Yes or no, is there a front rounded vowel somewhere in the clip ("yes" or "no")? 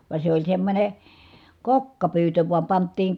yes